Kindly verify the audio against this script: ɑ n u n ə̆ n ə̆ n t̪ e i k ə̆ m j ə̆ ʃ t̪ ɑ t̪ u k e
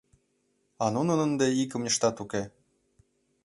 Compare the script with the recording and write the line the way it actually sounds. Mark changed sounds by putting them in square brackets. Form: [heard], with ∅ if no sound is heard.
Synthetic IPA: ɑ n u n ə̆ n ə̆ n [d̪] e i k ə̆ m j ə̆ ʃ t̪ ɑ t̪ u k e